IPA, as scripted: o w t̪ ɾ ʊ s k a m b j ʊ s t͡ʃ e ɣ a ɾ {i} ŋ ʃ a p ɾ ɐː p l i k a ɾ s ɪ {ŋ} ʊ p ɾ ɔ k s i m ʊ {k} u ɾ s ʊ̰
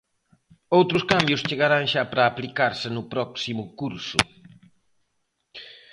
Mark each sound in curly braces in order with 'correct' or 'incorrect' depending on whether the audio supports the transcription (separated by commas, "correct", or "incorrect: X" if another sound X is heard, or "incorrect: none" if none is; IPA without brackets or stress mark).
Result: incorrect: a, incorrect: n, correct